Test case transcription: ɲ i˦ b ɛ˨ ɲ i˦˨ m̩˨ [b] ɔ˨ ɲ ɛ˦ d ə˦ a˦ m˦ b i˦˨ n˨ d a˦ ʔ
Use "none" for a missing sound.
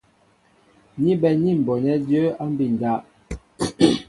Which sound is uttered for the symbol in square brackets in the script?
b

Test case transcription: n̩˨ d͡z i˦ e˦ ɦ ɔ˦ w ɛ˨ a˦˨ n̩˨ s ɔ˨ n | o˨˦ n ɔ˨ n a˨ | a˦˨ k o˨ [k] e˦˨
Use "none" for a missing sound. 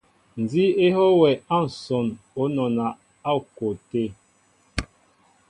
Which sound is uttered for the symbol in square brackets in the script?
t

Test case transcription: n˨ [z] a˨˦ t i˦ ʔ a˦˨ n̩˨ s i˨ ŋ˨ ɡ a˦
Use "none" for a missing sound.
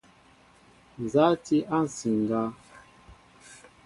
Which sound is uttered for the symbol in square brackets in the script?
z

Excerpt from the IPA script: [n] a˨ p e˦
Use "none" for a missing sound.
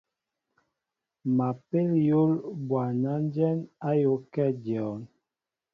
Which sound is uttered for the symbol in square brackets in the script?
m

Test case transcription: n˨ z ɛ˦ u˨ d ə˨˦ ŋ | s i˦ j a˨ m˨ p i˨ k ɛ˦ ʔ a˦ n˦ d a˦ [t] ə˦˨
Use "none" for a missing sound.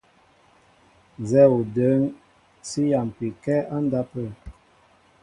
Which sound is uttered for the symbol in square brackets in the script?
p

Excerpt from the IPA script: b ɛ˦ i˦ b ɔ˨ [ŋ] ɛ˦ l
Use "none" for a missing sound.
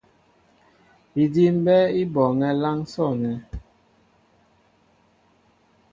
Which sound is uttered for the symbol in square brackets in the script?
ŋ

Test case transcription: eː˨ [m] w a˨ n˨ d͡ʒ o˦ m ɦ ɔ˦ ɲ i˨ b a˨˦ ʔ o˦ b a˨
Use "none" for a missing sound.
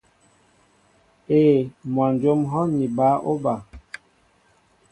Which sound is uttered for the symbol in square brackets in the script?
m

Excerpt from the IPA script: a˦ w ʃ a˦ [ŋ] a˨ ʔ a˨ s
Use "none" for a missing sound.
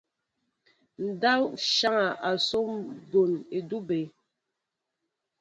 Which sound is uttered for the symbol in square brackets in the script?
ŋ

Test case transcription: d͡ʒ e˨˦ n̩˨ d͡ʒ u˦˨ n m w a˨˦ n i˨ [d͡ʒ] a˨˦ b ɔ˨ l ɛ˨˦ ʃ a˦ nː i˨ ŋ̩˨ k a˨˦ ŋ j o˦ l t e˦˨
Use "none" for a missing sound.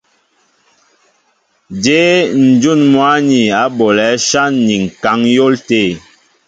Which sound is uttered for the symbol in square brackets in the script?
none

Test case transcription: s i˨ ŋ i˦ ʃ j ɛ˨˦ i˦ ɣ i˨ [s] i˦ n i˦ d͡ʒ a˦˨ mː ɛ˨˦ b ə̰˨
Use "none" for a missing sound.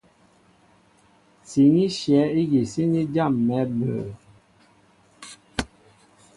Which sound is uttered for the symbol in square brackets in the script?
s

